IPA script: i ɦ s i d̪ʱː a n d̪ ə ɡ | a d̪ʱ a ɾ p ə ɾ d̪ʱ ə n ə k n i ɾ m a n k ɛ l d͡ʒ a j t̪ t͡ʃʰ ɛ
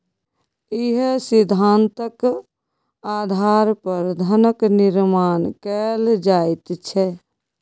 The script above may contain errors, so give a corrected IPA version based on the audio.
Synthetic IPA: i ɦ s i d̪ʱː a n t̪ ə k | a d̪ʱ a ɾ p ə ɾ d̪ʱ ə n ə k n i ɾ m a n k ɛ l d͡ʒ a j t̪ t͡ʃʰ ɛ